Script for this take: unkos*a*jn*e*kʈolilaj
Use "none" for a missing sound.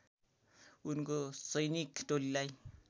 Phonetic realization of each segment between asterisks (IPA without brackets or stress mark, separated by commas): ʌ, i